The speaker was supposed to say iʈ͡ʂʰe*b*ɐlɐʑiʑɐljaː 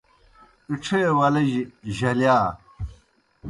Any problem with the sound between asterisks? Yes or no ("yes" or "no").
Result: yes